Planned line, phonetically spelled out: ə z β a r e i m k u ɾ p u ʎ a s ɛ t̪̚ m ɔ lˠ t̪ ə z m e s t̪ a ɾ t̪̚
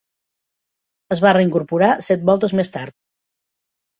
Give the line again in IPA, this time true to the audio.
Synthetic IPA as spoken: ə z β a r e i ŋ k u ɾ p u ɾ a s ɛ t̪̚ b ɔ lˠ t̪ ə z m e s t̪ a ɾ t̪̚